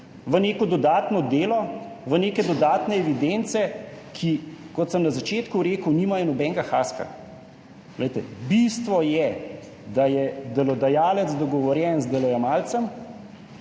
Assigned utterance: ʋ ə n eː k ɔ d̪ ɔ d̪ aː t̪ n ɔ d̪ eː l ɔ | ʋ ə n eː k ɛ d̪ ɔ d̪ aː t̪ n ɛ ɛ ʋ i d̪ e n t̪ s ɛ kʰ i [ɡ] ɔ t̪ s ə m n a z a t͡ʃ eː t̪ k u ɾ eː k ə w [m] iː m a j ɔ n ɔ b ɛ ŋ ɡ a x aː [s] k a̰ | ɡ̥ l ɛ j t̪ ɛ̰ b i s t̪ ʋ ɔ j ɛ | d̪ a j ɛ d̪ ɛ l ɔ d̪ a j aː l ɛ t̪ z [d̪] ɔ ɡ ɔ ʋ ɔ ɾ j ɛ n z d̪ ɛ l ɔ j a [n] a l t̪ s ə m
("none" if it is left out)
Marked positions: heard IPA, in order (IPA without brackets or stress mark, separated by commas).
k, n, s, d̪, m